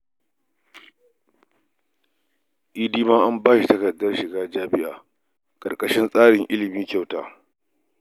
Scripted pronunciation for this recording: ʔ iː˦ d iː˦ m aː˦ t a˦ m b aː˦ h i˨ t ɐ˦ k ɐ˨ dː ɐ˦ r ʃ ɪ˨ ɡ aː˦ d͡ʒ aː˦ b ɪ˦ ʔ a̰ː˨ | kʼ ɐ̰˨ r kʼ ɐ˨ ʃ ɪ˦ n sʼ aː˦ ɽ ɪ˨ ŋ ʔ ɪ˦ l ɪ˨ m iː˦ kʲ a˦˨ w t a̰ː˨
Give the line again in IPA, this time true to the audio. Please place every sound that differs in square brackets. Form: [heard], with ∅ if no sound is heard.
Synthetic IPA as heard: ʔ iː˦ d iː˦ m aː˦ [ʔ] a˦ m b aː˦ [ʃ] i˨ t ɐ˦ k ɐ˨ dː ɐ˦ r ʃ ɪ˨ ɡ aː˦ d͡ʒ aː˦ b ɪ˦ ʔ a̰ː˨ | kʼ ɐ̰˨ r kʼ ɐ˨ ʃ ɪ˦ n sʼ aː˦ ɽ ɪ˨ ŋ ʔ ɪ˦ l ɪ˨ m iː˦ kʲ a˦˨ w t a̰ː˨